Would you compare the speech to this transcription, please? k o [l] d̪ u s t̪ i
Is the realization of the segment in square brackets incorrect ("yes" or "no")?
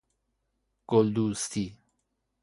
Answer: no